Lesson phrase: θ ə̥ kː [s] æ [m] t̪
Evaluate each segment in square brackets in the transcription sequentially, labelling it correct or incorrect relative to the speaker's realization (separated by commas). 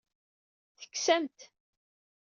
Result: correct, correct